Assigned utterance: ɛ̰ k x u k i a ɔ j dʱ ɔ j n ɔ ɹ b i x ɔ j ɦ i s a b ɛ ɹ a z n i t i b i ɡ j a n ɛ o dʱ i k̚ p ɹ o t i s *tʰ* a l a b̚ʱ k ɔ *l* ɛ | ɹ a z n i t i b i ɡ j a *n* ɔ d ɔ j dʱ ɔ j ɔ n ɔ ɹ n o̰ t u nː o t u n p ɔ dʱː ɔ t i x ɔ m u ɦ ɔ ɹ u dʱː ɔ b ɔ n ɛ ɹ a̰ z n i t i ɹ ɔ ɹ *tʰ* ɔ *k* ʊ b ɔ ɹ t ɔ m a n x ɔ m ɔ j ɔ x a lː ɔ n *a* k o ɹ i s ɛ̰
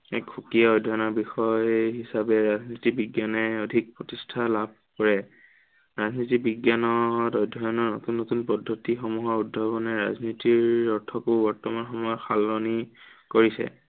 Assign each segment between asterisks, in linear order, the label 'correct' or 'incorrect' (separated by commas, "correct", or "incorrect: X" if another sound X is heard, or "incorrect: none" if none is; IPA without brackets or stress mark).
correct, incorrect: ɹ, correct, correct, correct, incorrect: i